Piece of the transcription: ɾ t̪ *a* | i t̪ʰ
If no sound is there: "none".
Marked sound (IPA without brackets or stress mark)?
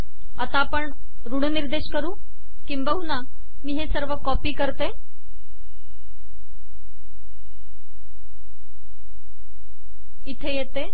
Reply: e